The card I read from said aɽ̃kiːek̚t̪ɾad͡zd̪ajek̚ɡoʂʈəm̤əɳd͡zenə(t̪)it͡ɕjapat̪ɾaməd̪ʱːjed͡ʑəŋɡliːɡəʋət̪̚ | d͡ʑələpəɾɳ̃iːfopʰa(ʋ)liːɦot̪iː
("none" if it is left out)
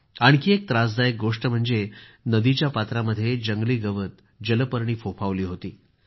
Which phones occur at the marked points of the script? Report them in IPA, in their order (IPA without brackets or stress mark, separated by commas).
d̪, ʋ